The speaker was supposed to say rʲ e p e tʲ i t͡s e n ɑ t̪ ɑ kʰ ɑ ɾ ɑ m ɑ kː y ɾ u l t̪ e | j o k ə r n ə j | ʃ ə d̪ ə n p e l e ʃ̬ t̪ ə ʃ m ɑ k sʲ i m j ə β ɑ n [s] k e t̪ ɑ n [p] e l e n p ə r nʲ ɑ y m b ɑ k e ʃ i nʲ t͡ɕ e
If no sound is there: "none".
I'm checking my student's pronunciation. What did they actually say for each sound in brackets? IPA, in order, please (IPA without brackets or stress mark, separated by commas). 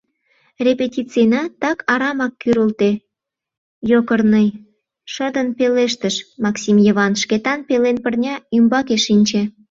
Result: ʃ, p